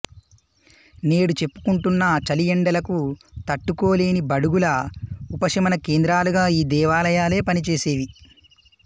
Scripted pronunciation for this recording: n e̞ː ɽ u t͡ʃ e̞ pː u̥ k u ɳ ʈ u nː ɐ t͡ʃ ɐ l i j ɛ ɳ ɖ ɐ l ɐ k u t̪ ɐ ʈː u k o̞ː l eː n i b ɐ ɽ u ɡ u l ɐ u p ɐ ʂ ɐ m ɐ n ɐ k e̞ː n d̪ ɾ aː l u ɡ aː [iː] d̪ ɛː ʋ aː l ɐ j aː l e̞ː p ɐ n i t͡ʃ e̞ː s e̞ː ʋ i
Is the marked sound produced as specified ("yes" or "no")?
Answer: yes